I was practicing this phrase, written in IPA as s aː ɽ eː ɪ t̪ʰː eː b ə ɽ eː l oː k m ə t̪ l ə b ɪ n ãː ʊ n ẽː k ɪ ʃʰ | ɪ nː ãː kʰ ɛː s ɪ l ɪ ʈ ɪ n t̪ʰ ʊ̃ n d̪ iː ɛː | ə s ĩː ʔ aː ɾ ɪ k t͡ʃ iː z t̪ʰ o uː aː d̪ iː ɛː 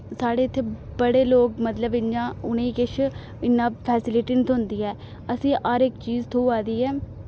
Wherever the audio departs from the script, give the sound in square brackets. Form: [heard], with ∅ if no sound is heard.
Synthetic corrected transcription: s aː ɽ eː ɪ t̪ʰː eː b ə ɽ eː l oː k m ə t̪ l ə b ɪ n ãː ʊ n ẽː k ɪ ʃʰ | ɪ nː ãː [pʰ] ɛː s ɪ l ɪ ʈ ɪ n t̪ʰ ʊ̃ n d̪ iː ɛː | ə s ĩː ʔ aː ɾ ɪ k t͡ʃ iː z t̪ʰ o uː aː d̪ iː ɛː

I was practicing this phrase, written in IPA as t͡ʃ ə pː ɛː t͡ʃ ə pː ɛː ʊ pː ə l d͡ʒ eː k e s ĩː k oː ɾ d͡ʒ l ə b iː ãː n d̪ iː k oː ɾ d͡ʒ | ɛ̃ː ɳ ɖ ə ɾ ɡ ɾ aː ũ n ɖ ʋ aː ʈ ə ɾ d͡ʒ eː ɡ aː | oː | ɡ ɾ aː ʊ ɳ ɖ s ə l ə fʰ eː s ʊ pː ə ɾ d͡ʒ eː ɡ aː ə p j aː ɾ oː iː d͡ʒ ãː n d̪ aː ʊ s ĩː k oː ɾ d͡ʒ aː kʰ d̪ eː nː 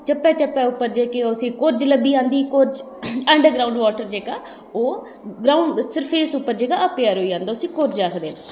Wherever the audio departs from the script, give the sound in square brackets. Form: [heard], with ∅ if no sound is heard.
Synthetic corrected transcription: t͡ʃ ə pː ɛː t͡ʃ ə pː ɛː ʊ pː ə [ɾ] d͡ʒ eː k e s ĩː k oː ɾ d͡ʒ l ə b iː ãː n d̪ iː k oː ɾ d͡ʒ | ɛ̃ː ɳ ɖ ə ɾ ɡ ɾ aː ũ [ɳ] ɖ ʋ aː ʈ ə ɾ d͡ʒ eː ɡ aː | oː | ɡ ɾ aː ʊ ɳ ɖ s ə [ɾ] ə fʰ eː s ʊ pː ə ɾ d͡ʒ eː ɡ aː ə p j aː ɾ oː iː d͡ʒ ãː n d̪ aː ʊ s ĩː k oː ɾ d͡ʒ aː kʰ d̪ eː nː

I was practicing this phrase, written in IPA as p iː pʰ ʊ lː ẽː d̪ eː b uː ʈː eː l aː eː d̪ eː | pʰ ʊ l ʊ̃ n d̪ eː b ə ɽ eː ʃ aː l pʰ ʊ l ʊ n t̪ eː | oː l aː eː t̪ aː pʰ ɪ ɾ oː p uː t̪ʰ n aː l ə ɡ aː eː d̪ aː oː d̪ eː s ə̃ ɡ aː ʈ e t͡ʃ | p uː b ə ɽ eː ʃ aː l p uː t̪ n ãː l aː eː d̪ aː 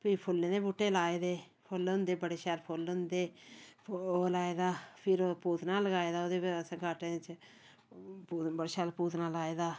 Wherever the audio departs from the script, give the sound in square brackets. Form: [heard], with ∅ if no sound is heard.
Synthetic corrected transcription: p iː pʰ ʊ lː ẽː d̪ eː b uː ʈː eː l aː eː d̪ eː | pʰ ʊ l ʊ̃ n d̪ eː b ə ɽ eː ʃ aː l pʰ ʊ l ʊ n [d̪] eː | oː l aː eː [d̪] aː pʰ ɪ ɾ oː p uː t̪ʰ n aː l ə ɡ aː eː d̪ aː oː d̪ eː s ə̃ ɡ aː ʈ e t͡ʃ | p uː b ə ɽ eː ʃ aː l p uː t̪ n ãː l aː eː d̪ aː

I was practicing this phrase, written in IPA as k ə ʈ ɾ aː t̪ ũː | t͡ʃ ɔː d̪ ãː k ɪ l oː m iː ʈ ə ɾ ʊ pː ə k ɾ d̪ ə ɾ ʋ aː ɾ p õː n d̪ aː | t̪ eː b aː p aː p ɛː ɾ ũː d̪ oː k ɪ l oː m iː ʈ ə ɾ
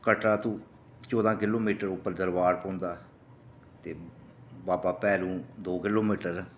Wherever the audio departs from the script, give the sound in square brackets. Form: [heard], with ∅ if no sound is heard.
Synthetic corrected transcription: k ə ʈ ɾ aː t̪ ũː | t͡ʃ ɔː d̪ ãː k ɪ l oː m iː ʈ ə ɾ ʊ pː ə [∅] ɾ d̪ ə ɾ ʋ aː ɾ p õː n d̪ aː | t̪ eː b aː p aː p ɛː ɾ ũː d̪ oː k ɪ l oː m iː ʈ ə ɾ

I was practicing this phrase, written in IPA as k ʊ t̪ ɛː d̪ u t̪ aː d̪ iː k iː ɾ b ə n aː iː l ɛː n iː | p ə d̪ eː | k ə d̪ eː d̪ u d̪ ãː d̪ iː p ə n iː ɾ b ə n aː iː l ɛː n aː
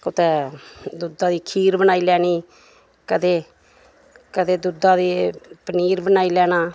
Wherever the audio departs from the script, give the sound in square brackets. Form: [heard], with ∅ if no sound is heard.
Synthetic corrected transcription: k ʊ t̪ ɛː d̪ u [d̪] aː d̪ iː [kʰ] iː ɾ b ə n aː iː l ɛː n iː | [k] ə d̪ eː | k ə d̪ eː d̪ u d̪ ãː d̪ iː p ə n iː ɾ b ə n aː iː l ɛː n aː

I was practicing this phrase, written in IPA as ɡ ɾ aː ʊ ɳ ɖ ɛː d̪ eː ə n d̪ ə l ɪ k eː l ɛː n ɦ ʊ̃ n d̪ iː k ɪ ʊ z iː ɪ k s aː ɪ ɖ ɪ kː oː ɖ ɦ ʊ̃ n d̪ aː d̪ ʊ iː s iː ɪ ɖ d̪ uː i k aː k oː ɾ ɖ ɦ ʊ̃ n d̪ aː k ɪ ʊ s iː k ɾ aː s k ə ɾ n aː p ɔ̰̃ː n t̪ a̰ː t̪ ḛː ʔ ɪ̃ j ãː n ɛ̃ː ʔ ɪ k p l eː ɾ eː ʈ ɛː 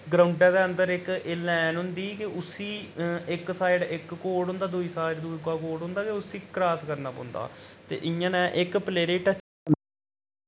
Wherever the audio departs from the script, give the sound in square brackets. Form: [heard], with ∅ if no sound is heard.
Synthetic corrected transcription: ɡ ɾ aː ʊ ɳ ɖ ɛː d̪ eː ə n d̪ ə [ɾ] ɪ k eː l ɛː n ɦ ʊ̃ n d̪ iː k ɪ ʊ [s] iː ɪ k s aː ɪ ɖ ɪ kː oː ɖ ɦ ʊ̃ n d̪ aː d̪ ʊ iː s [aː] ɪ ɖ d̪ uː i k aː k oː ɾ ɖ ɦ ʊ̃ n d̪ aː k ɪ ʊ s iː k ɾ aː s k ə ɾ n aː p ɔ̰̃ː n [d̪] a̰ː t̪ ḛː ʔ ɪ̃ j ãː n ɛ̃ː ʔ ɪ k p l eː ɾ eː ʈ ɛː

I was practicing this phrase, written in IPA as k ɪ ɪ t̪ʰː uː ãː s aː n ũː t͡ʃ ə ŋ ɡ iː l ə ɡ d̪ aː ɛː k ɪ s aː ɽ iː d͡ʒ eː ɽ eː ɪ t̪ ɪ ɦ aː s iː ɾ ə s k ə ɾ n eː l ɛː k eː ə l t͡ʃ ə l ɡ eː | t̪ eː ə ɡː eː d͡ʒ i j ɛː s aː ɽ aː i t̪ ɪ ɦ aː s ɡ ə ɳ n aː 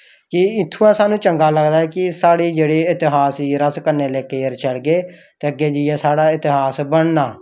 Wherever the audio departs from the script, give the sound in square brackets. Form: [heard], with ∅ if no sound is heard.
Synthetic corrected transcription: k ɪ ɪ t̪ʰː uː ãː s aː n ũː t͡ʃ ə ŋ ɡ [aː] l ə ɡ d̪ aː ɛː k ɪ s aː ɽ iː d͡ʒ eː ɽ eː ɪ t̪ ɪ ɦ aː s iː ɾ ə s k ə ɾ n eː l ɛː k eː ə [ɾ] t͡ʃ ə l ɡ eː | t̪ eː ə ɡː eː d͡ʒ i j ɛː s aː ɽ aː [ɪ] t̪ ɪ ɦ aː s [b] ə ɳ n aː

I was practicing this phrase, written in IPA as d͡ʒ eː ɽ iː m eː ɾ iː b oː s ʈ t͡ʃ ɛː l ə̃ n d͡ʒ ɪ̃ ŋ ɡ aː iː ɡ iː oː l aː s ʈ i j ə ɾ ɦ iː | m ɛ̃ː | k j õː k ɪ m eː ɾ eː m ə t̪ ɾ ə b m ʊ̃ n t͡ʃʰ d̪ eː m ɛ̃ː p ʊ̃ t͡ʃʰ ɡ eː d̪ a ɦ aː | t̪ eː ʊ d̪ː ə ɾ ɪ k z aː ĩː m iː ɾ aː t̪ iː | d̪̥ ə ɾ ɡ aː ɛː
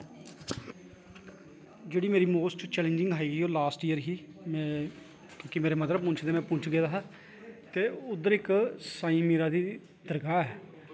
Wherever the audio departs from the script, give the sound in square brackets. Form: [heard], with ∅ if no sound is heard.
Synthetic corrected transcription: d͡ʒ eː ɽ iː m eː ɾ iː [m] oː s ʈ t͡ʃ ɛː l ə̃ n d͡ʒ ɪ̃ ŋ ɡ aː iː ɡ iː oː l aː s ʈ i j ə ɾ ɦ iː | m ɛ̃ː | k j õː k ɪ m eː ɾ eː m ə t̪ ɾ ə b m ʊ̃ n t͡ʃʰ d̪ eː m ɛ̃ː p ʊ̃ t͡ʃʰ ɡ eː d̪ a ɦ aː | t̪ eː ʊ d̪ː ə ɾ ɪ k [s] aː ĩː m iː ɾ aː [d̪] iː | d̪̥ ə ɾ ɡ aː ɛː

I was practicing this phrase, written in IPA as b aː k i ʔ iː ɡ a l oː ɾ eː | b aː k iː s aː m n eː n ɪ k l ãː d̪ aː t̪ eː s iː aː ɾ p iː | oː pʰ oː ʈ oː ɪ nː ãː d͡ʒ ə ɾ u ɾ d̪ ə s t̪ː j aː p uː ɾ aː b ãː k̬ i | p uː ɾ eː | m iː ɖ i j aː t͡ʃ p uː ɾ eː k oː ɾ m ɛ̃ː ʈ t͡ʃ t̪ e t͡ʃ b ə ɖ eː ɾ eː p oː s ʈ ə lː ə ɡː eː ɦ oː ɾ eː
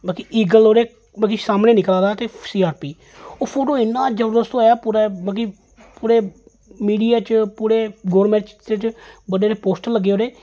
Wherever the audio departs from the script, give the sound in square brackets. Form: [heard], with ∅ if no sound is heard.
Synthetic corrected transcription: b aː k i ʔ iː ɡ [ə] l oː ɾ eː | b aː k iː s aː m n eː n ɪ k l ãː d̪ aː t̪ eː s iː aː ɾ p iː | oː pʰ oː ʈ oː ɪ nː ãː d͡ʒ ə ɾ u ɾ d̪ ə s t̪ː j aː p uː ɾ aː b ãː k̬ i | p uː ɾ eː | m iː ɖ i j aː t͡ʃ p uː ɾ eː [ɡ] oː ɾ m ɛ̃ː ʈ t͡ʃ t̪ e t͡ʃ b ə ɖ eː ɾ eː p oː s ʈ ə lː ə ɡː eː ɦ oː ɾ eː

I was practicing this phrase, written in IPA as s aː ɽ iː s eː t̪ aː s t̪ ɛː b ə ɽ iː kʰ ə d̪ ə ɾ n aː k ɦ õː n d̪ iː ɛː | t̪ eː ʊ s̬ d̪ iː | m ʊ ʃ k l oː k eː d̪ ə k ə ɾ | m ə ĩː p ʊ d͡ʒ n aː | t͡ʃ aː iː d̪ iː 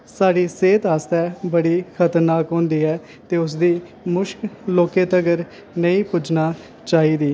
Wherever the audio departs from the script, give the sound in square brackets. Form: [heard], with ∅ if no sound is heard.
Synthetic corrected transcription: s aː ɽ iː s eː t̪ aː s t̪ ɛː b ə ɽ iː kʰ ə [t̪] ə ɾ n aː k ɦ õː n d̪ iː ɛː | t̪ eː ʊ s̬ d̪ iː | m ʊ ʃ k l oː k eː [t̪] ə [ɡ] ə ɾ | [n] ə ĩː p ʊ d͡ʒ n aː | t͡ʃ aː iː d̪ iː

